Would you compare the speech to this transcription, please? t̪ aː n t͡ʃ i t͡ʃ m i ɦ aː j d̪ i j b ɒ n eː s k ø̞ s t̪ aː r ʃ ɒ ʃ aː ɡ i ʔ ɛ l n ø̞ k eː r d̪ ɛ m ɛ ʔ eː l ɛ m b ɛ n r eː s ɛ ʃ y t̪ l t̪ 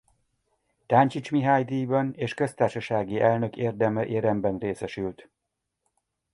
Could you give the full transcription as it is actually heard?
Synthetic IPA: t̪ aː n t͡ʃ i t͡ʃ m i ɦ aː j d̪ i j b ɒ n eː ʃ k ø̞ s t̪ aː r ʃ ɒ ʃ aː ɡ i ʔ ɛ l n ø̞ k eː r d̪ ɛ m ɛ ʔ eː ɾ ɛ m b ɛ n r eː s ɛ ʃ y l t̪